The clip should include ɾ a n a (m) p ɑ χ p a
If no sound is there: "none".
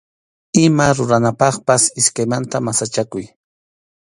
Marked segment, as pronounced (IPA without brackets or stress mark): none